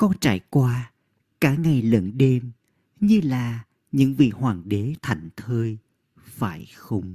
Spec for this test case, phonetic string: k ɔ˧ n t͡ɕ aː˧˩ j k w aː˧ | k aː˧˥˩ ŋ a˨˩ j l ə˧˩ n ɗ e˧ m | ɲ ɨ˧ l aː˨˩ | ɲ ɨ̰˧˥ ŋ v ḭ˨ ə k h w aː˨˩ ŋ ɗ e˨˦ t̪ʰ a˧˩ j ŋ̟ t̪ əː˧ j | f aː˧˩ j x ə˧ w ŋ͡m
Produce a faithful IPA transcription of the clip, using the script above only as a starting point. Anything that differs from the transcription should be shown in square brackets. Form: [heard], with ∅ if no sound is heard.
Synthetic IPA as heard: k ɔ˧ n t͡ɕ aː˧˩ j k w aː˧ | k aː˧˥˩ ŋ a˨˩ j l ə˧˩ n ɗ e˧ m | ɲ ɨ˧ l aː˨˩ | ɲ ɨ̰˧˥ ŋ v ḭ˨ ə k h w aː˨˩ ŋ ɗ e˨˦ t̪ʰ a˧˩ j ŋ̟ [t̪ʰ] əː˧ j | f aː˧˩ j x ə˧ w ŋ͡m